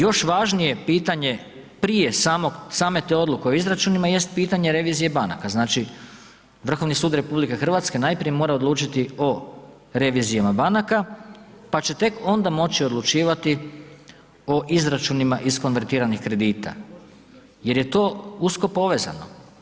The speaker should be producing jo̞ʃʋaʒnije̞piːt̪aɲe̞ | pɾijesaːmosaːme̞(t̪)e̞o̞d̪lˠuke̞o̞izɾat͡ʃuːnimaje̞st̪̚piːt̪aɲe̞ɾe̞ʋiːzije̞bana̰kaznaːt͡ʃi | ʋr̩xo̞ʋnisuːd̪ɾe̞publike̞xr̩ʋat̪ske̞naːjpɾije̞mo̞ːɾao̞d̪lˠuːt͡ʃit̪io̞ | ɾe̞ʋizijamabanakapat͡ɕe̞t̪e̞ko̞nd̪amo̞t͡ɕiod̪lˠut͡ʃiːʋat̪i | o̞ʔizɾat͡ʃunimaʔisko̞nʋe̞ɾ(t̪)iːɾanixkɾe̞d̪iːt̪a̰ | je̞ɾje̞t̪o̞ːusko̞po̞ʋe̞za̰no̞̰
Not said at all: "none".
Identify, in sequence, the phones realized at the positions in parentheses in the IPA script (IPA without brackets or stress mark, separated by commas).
t̪, t̪